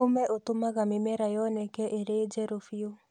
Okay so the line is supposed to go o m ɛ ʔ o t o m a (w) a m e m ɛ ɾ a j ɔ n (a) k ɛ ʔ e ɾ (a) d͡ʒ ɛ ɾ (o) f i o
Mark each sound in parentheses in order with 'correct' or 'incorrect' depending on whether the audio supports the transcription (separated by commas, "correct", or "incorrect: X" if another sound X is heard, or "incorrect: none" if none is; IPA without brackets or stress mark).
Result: incorrect: ɣ, incorrect: ɛ, incorrect: e, correct